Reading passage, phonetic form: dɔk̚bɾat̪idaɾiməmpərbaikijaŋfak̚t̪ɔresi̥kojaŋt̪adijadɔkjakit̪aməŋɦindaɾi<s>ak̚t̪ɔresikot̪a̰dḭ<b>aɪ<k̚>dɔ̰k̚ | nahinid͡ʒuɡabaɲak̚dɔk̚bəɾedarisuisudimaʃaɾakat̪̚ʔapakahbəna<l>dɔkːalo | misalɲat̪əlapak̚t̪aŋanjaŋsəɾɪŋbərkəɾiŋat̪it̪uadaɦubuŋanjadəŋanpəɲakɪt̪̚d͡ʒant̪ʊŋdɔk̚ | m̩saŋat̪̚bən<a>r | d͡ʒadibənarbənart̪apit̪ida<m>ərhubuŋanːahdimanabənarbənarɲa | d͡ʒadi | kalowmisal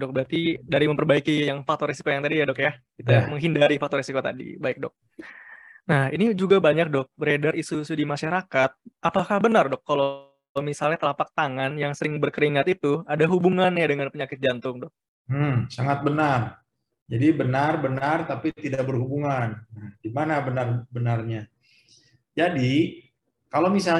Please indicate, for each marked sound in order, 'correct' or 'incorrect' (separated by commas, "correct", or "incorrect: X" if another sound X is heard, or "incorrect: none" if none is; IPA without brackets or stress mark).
incorrect: f, correct, correct, incorrect: r, correct, incorrect: b